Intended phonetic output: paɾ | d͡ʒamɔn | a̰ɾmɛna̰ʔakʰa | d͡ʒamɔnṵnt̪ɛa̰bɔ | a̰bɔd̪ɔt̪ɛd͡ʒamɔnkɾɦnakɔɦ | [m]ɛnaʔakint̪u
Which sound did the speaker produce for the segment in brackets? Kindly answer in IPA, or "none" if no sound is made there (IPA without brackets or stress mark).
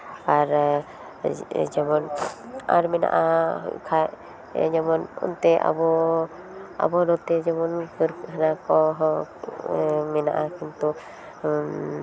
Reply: m